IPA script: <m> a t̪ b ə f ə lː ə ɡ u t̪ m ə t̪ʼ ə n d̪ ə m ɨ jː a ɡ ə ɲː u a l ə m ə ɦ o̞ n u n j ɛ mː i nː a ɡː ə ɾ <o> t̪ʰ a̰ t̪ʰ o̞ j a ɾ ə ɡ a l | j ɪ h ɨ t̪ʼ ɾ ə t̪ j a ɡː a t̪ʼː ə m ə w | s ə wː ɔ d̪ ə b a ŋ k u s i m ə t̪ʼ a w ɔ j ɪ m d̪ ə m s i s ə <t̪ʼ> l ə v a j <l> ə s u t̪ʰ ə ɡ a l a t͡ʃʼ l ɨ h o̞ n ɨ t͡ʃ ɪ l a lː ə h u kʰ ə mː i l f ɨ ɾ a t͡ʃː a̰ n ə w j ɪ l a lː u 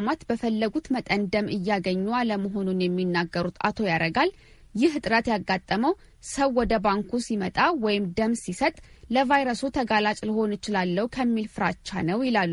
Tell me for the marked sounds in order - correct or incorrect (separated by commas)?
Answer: correct, incorrect, correct, incorrect